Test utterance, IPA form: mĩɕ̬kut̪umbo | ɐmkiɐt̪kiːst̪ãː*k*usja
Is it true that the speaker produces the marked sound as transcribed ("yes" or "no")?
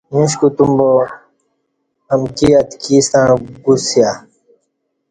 no